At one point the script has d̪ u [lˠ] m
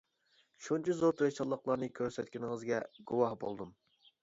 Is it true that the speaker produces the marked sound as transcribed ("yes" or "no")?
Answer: no